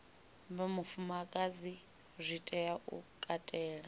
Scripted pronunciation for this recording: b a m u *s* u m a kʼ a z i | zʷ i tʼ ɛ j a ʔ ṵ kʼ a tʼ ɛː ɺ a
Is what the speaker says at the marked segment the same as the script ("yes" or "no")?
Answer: no